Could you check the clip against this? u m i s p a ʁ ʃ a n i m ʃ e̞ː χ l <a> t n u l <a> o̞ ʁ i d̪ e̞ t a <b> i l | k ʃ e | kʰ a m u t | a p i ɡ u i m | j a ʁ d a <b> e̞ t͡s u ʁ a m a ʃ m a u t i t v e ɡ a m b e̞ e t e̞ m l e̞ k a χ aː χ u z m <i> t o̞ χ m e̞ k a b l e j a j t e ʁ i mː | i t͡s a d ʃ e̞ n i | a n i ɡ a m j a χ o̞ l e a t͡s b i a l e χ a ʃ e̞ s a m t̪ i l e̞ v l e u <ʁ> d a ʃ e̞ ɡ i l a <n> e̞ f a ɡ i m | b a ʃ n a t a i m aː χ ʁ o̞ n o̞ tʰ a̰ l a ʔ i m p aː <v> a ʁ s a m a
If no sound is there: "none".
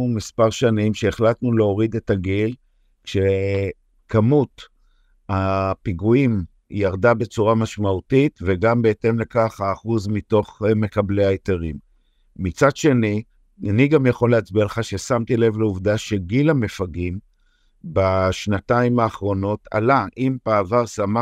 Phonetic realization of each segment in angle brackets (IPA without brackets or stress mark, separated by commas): a, e, ɡ, b, i, v, m, v